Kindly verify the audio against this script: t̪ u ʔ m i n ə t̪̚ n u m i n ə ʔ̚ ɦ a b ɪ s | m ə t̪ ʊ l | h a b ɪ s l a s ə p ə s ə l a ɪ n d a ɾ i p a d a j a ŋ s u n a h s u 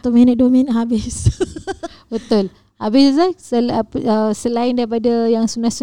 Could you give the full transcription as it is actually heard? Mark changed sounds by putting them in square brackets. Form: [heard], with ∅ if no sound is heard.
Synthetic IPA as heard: t̪ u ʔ m i n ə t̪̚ [d] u m i n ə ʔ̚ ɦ a b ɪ s | [b] ə t̪ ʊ l | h a b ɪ s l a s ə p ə s ə l a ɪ n d a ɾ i p a d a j a ŋ s u n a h s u